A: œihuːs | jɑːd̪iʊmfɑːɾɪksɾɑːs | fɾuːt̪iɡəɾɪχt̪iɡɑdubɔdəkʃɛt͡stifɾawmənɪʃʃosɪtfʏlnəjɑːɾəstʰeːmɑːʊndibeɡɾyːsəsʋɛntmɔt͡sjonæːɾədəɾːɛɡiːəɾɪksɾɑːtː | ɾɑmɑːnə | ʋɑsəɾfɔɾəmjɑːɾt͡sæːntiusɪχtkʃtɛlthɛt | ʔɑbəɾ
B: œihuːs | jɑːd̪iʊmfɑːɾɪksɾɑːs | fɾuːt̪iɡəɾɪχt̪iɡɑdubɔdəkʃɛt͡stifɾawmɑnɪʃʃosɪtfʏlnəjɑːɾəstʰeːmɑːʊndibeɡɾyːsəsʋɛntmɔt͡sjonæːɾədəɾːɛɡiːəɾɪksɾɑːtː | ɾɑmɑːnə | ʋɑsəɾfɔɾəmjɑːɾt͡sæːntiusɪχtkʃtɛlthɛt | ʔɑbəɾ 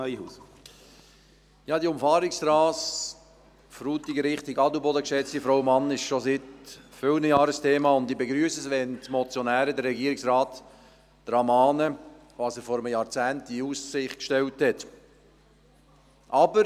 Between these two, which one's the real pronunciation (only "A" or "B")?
B